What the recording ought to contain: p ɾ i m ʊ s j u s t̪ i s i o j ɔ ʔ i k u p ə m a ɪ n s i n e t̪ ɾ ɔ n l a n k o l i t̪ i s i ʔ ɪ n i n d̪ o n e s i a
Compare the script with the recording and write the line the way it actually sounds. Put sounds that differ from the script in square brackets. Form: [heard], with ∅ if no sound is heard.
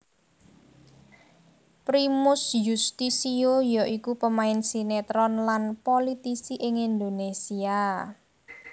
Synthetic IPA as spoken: p ɾ i m ʊ s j u s t̪ i s i o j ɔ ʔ i k u p ə m a ɪ n s i n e t̪ ɾ ɔ n l a n [p] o l i t̪ i s i ʔ ɪ [ŋ] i n d̪ o n e s i a